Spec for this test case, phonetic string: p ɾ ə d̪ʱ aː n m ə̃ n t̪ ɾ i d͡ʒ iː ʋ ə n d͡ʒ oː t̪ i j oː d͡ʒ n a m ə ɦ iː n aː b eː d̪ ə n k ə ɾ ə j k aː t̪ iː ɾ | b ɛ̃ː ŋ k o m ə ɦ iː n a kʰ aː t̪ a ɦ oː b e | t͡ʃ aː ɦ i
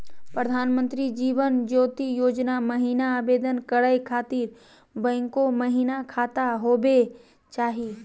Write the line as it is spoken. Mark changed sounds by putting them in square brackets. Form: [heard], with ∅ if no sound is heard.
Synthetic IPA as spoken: p ɾ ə d̪ʱ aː n m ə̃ n t̪ ɾ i d͡ʒ iː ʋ ə n d͡ʒ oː t̪ i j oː d͡ʒ n a m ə ɦ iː n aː b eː d̪ ə n k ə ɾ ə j [kʰ] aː t̪ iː ɾ | b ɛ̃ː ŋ k o m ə ɦ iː n a kʰ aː t̪ a ɦ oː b e | t͡ʃ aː ɦ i